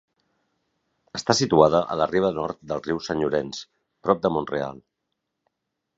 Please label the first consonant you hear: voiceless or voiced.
voiceless